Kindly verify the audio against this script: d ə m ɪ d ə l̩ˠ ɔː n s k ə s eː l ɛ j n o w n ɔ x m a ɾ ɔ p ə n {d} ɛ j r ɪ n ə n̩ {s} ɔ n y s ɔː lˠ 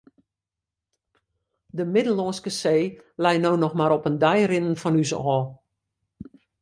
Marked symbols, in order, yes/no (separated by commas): yes, no